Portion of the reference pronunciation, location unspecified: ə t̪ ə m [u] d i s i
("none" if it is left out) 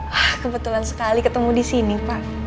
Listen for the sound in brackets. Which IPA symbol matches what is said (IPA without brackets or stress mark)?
u